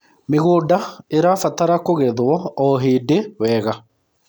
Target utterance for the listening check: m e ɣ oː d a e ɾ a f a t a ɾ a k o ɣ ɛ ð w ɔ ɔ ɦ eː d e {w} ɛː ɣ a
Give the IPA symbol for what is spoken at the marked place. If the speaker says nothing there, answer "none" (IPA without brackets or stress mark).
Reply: w